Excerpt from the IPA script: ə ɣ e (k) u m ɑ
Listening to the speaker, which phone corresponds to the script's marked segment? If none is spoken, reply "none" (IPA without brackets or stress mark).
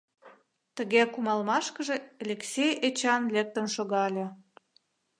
k